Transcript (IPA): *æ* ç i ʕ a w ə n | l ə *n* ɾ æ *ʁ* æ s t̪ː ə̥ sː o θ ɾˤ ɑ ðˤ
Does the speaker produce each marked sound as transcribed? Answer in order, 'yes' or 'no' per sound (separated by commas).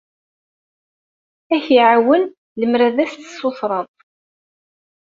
yes, no, no